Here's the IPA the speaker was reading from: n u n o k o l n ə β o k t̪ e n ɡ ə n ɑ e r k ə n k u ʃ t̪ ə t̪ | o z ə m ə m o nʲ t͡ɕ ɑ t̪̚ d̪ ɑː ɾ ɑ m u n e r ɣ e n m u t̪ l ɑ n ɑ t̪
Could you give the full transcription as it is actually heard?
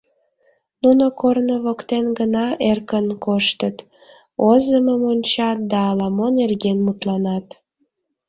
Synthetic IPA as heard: n u n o k o r n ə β o k t̪ e n ɡ ə n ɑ e r k ə n k o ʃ t̪ ə t̪ | o z ə m ə m o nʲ t͡ɕ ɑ t̪̚ d̪ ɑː l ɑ m o n e r ɣ e n m u t̪ l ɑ n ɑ t̪